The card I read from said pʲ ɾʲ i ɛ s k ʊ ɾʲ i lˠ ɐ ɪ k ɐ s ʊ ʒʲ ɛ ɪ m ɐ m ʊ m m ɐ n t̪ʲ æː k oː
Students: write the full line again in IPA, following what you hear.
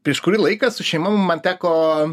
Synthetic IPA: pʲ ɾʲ i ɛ ʃ k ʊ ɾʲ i lˠ ɐ ɪ k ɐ s ʊ ʃʲ ɛ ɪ m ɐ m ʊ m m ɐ n t̪ʲ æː k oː